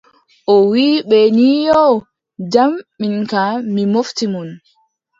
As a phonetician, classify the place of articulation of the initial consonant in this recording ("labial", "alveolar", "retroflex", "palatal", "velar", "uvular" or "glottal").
glottal